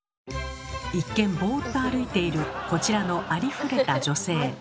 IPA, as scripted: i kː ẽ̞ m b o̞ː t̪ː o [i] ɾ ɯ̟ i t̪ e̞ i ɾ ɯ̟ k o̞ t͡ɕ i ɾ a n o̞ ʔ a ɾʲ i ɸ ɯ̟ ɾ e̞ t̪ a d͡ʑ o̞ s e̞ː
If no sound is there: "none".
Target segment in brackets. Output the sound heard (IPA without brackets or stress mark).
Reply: a